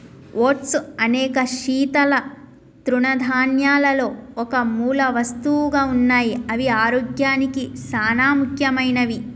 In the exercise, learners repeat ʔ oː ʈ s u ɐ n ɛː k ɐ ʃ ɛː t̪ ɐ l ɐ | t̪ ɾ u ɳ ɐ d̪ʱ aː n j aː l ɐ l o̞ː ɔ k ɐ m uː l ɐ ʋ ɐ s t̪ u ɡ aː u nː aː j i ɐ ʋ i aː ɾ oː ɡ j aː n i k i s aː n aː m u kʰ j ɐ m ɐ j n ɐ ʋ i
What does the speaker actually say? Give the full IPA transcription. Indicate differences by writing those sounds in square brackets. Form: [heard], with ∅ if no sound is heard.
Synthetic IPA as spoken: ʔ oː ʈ s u ɐ n ɛː k ɐ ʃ [iː] t̪ ɐ l ɐ | t̪ ɾ u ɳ ɐ d̪ʱ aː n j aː l ɐ l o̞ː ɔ k ɐ m uː l ɐ ʋ ɐ s t̪ u ɡ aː u nː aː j i ɐ ʋ i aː ɾ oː ɡ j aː n i k i s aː n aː m u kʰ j ɐ m ɐ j n ɐ ʋ i